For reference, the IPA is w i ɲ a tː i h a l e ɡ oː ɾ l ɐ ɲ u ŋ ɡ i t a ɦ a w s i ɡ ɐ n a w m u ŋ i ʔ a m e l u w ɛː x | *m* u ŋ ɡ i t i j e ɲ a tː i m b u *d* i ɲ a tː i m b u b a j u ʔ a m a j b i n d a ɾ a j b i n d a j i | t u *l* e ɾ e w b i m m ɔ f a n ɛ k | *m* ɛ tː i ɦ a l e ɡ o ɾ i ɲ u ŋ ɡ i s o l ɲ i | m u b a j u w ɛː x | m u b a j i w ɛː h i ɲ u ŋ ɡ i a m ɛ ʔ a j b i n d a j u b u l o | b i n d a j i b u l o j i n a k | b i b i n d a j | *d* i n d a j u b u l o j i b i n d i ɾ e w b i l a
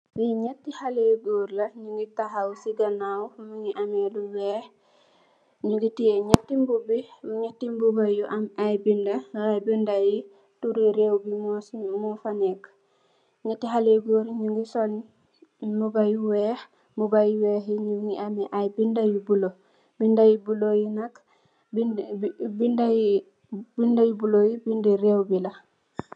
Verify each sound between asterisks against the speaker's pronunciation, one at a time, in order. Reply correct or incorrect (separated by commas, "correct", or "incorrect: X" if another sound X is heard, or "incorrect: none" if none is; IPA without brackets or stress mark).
incorrect: ɲ, incorrect: b, incorrect: ɾ, incorrect: ɲ, incorrect: b